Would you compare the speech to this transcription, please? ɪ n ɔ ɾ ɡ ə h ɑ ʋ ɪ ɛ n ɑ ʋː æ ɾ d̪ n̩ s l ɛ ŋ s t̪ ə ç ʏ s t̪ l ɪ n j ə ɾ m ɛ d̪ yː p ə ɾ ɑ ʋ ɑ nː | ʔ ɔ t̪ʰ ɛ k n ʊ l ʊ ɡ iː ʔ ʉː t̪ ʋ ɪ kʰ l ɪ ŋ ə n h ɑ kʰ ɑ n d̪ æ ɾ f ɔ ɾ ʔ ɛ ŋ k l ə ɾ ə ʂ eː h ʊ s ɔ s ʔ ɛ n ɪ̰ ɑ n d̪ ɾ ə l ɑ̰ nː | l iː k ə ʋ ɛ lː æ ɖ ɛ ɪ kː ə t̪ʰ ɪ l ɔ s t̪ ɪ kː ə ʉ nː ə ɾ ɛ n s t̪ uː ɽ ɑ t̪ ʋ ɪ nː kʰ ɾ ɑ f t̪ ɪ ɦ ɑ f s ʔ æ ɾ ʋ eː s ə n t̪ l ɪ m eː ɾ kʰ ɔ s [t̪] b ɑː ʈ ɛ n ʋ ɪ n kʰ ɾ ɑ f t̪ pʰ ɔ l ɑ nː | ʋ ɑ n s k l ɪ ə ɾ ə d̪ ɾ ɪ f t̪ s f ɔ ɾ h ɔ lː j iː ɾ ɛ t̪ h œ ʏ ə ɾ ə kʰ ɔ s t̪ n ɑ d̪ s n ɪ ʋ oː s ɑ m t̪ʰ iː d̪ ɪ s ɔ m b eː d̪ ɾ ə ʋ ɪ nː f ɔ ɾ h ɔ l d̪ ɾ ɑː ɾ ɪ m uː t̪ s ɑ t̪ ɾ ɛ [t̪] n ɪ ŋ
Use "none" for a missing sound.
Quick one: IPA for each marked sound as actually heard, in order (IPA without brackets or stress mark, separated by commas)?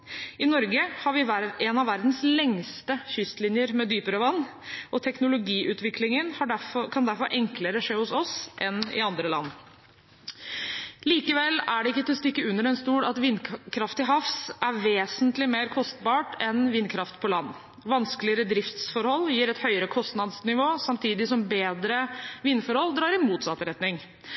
t̪, t̪